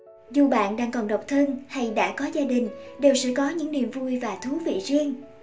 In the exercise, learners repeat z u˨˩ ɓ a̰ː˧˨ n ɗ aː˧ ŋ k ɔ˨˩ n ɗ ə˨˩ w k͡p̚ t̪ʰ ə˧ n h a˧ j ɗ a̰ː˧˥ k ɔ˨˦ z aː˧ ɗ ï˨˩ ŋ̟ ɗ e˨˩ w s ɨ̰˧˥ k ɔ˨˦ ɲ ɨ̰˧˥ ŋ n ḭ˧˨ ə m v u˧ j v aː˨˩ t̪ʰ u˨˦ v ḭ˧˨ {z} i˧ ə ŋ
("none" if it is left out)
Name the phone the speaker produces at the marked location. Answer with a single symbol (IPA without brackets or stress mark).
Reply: z